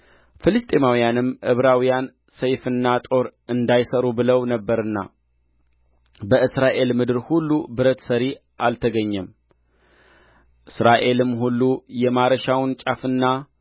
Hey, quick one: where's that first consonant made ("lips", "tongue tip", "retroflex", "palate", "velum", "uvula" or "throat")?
lips